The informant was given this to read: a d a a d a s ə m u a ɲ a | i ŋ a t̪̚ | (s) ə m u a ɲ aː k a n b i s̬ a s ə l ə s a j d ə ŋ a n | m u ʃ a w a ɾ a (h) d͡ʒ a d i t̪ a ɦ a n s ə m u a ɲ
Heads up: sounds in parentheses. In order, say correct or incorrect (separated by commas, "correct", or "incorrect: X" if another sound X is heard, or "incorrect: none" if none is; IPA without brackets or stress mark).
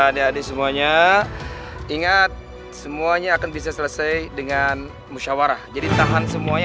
correct, correct